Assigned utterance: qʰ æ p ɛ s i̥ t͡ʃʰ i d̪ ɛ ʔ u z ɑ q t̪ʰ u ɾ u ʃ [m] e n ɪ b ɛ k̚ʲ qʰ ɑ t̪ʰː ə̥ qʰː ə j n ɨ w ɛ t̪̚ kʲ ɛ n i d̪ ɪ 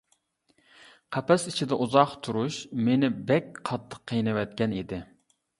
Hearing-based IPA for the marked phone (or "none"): m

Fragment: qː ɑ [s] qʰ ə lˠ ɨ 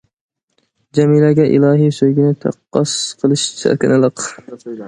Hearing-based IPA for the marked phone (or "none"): s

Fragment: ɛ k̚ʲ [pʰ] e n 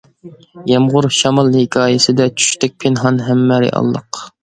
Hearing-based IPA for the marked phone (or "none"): pʰ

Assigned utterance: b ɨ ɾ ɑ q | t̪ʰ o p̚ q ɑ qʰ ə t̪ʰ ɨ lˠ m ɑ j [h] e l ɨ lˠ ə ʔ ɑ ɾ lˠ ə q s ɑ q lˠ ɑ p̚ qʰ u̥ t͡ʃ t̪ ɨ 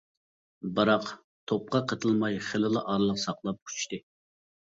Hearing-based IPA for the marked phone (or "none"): χ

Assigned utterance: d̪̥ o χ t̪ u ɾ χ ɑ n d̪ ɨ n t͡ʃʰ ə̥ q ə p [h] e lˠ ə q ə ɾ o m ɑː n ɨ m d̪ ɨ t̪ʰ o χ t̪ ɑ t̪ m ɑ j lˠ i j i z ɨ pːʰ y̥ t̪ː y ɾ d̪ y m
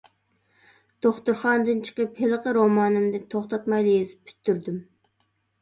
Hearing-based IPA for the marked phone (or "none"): h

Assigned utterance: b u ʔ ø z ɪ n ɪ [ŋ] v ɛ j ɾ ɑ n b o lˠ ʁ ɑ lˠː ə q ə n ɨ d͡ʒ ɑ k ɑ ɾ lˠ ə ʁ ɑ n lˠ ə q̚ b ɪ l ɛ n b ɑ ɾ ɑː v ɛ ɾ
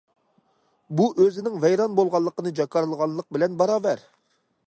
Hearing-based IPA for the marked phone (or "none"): ŋ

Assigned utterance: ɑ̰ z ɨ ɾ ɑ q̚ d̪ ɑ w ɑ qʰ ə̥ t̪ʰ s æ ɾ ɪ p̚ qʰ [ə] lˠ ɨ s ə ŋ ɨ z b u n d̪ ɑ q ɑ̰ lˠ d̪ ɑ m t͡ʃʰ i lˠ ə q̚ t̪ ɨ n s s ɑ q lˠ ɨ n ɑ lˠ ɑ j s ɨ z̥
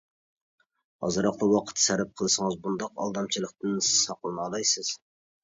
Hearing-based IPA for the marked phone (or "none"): ə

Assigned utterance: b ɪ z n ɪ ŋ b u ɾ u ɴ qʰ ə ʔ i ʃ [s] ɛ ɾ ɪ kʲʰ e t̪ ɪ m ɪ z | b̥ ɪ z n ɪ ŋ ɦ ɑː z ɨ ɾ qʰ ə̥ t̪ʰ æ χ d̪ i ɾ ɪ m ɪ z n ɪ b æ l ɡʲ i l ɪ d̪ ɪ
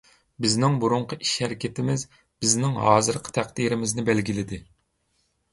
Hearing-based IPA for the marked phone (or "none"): h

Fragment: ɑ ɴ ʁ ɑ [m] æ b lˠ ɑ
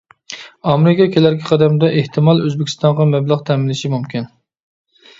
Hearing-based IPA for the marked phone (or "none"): m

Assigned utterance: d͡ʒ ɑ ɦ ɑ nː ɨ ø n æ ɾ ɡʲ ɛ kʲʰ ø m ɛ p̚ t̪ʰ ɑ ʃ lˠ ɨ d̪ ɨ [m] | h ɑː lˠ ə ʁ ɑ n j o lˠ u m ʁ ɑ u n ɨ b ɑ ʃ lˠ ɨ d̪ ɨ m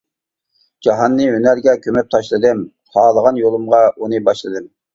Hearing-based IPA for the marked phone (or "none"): m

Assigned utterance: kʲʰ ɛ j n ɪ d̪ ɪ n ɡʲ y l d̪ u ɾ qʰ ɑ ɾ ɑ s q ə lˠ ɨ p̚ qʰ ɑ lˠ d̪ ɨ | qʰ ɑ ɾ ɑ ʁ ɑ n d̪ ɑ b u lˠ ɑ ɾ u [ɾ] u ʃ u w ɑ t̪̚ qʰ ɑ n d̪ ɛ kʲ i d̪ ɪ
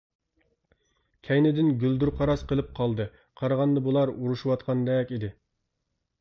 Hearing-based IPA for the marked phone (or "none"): ɾ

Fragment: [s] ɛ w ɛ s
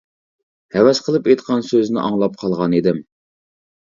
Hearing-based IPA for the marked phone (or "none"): h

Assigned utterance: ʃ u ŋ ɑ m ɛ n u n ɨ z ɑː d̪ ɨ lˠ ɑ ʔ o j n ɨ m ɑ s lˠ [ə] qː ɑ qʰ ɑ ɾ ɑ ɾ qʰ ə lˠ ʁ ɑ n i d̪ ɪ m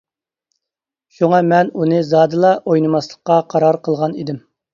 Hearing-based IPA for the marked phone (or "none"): ə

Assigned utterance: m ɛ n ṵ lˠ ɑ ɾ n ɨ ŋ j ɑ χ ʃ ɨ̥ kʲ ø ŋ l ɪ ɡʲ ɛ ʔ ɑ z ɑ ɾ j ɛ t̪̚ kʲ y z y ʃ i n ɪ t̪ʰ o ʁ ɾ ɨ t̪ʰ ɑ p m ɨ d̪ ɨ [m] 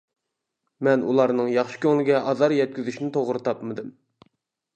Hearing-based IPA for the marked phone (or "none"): m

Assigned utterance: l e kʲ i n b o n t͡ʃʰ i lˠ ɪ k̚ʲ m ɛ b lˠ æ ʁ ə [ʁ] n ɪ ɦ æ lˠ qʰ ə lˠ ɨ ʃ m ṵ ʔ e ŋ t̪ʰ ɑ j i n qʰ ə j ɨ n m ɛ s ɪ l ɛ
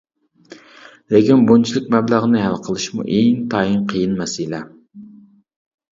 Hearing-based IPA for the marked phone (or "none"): none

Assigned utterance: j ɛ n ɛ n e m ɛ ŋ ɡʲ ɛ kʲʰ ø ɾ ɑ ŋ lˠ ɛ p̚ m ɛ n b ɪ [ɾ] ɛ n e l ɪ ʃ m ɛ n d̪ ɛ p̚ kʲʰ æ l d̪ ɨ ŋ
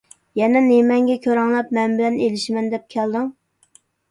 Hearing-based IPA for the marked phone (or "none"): l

